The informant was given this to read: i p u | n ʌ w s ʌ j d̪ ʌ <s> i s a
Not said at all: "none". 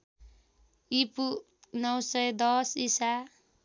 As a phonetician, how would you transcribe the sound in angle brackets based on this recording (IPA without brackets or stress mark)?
s